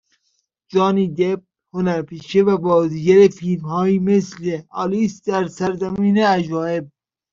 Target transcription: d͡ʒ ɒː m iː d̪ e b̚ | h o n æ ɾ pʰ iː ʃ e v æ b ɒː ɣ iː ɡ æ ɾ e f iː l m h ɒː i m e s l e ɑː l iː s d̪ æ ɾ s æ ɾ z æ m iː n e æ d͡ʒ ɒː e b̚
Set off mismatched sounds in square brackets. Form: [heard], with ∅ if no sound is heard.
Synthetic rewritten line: d͡ʒ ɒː [n] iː d̪ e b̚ | h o n æ ɾ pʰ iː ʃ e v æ b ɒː [z] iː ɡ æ ɾ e f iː l m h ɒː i m e s l e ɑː l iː s d̪ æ ɾ s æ ɾ z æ m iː n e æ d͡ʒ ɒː e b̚